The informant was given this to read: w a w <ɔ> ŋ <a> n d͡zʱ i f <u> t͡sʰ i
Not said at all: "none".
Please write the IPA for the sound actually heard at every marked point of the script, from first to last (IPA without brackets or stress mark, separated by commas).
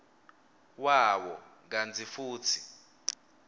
ɔ, a, uː